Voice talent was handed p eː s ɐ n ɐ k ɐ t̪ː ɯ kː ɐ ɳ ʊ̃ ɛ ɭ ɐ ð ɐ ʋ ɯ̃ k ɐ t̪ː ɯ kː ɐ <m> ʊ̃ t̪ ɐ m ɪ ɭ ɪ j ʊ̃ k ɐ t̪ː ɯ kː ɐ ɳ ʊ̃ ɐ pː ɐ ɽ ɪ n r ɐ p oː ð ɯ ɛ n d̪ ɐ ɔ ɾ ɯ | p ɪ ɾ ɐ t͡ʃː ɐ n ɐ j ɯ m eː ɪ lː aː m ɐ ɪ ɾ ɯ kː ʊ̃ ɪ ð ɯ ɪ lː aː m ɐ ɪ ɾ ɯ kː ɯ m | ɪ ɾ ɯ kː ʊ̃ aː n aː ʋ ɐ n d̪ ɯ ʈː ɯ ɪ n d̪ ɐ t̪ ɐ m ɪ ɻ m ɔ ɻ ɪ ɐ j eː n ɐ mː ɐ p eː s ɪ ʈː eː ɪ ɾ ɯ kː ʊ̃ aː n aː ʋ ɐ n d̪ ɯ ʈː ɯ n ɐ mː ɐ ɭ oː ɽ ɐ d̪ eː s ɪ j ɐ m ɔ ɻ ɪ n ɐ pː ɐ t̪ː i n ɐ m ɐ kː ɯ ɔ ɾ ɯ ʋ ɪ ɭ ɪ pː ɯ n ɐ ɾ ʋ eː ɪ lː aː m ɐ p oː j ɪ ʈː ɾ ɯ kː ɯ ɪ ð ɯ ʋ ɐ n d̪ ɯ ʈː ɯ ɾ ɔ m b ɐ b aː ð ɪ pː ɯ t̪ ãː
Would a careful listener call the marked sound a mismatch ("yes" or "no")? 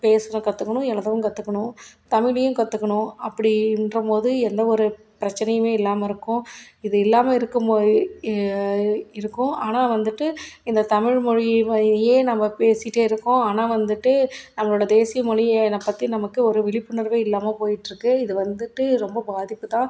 yes